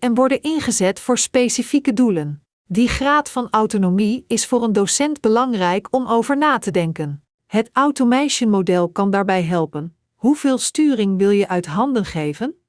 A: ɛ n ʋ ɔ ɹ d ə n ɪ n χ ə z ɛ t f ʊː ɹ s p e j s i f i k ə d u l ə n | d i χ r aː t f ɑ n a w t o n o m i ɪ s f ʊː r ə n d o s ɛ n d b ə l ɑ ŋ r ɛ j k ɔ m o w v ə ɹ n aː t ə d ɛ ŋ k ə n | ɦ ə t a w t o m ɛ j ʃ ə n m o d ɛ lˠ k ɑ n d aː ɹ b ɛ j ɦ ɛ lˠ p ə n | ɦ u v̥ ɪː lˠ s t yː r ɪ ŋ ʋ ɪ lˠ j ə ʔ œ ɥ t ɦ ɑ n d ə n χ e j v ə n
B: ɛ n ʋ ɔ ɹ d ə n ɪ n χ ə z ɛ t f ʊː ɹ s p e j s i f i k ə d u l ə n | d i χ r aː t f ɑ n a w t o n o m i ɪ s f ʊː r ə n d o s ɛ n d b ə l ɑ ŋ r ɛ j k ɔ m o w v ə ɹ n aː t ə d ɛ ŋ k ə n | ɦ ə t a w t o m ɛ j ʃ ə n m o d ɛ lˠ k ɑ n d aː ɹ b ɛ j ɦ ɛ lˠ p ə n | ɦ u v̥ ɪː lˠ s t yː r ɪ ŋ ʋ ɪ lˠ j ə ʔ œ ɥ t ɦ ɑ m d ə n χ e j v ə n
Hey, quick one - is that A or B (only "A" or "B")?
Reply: A